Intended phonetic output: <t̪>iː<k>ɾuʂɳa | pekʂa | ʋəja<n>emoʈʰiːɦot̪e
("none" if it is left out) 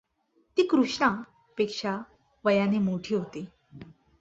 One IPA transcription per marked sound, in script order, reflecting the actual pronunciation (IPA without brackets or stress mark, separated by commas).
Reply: t̪, k, n